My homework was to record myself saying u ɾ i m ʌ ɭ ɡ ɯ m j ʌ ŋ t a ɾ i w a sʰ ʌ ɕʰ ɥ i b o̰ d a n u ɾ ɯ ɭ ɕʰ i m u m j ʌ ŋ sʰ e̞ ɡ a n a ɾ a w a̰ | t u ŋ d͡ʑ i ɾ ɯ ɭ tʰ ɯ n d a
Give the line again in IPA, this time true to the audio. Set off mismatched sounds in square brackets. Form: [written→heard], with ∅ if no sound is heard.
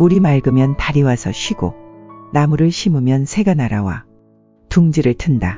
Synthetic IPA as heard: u ɾ i m [ʌ→a] ɭ ɡ ɯ m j ʌ [ŋ→n] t a ɾ i w a sʰ ʌ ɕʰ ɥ i [b→ɡ] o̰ [d→n] a [n→m] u ɾ ɯ ɭ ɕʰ i m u m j ʌ [ŋ→n] sʰ e̞ ɡ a n a ɾ a w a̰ | t u ŋ d͡ʑ i ɾ ɯ ɭ tʰ ɯ n d a